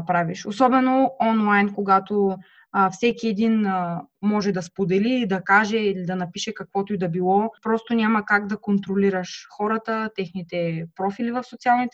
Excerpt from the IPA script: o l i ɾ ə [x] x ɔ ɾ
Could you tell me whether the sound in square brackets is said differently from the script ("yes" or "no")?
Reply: yes